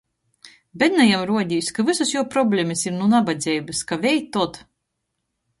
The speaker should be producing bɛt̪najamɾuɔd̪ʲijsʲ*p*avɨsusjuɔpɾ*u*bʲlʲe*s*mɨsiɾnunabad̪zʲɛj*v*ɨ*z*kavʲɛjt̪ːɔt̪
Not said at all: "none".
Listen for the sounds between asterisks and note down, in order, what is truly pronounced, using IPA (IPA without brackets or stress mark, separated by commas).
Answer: k, ɔ, none, b, s